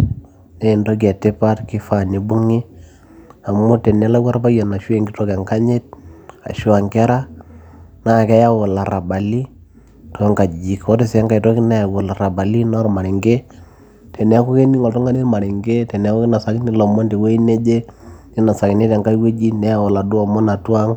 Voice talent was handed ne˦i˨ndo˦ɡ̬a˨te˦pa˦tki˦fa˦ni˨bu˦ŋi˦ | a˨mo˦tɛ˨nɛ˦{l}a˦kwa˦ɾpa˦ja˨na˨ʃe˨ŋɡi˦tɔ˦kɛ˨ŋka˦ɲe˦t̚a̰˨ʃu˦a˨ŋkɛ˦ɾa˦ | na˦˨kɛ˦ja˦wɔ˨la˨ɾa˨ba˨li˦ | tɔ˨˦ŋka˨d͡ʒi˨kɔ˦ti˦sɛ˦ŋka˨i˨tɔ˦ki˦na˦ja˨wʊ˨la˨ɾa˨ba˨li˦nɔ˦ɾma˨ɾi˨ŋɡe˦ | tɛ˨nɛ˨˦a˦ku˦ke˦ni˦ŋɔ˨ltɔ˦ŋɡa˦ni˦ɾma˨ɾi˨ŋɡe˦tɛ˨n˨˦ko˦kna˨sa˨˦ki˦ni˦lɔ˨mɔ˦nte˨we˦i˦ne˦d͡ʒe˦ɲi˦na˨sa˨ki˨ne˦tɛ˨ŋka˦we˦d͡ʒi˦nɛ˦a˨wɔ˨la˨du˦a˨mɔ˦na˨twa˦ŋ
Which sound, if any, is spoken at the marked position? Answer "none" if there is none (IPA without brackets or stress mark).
l